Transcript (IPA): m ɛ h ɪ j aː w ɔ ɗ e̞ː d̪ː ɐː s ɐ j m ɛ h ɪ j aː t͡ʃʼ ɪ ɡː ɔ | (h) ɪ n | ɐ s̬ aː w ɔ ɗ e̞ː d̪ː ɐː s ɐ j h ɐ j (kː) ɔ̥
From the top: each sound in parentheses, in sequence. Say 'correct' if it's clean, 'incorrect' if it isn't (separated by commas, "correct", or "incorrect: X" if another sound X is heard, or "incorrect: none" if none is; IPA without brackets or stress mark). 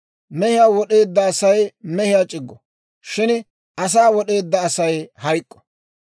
incorrect: ʃ, incorrect: kʼː